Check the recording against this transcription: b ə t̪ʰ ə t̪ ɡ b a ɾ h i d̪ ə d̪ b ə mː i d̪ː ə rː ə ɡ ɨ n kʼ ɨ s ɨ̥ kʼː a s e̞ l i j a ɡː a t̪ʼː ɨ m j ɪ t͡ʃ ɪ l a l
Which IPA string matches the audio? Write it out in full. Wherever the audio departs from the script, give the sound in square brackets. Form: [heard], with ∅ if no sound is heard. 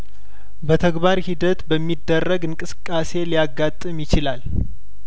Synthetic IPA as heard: b ə t̪ʰ ə [∅] ɡ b a ɾ h i d̪ ə [t̪] b ə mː i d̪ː ə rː ə ɡ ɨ [ŋ] kʼ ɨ s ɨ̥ kʼː a s e̞ l i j a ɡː a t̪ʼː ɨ m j ɪ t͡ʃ ɪ l a l